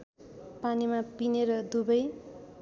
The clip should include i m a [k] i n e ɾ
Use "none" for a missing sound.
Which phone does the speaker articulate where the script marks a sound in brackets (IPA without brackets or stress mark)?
p